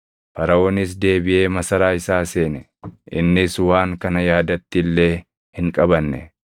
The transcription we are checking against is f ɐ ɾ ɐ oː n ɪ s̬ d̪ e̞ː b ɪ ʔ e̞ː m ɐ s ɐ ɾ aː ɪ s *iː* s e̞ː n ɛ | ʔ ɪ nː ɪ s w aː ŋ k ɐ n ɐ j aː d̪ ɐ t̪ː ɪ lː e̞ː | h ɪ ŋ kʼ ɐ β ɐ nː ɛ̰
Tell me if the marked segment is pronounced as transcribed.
no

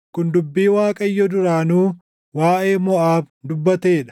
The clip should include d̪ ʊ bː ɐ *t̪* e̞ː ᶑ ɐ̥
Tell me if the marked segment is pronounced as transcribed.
yes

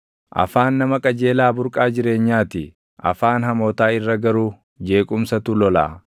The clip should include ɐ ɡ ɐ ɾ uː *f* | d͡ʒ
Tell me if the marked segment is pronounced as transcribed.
no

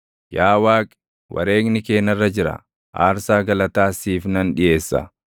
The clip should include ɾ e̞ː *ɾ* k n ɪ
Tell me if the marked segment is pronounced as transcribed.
no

